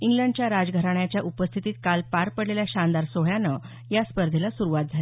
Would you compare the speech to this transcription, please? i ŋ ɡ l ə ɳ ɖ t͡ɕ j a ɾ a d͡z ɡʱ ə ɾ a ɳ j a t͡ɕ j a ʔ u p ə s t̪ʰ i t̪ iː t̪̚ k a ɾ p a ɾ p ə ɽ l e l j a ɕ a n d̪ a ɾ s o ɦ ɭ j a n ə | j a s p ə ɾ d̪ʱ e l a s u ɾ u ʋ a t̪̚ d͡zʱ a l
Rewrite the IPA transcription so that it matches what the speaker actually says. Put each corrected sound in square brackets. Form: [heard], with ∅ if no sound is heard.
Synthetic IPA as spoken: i ŋ ɡ l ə ɳ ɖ t͡ɕ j a ɾ a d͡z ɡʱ ə ɾ a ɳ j a t͡ɕ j a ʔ u p ə s t̪ʰ i t̪ iː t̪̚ k a [l] p a ɾ p ə ɽ l e l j a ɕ a n d̪ a ɾ s o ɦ ɭ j a n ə | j a s p ə ɾ d̪ʱ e l a s u ɾ u ʋ a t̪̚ d͡zʱ a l